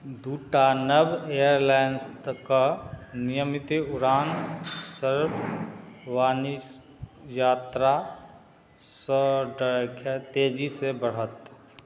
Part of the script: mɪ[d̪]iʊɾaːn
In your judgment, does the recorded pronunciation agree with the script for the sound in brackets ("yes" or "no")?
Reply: no